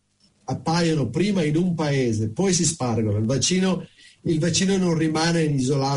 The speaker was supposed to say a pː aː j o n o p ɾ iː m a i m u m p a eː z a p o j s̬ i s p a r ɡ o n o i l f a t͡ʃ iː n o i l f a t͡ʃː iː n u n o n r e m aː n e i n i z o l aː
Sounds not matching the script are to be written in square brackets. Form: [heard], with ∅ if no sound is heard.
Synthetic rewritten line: a pː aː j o n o p ɾ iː m a i [n] u m p a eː z [e] p [ɔ] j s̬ i s p a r ɡ o n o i l [v] a t͡ʃ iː n o i l [v] a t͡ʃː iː n [o] n o n r [i] m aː n e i n i z o l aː